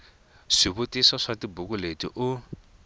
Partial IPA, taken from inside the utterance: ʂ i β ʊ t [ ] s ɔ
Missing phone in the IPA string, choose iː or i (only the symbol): i